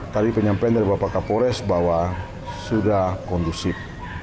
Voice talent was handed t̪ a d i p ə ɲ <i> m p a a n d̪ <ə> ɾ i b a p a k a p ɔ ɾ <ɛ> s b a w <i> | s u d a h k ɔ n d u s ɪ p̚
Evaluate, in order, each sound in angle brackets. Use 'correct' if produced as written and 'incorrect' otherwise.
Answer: incorrect, incorrect, correct, incorrect

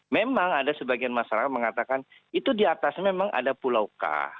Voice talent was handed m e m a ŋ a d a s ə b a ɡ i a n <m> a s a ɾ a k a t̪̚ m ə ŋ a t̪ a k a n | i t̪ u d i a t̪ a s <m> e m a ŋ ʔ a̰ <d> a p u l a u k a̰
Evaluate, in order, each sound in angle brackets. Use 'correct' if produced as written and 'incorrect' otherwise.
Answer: correct, correct, correct

